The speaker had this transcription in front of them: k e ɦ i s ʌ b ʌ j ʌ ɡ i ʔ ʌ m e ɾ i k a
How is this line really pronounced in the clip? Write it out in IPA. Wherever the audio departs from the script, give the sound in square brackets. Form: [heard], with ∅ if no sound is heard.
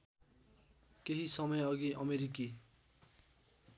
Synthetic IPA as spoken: k e ɦ i s ʌ [m] ʌ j ʌ ɡ i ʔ ʌ m e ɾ i k [i]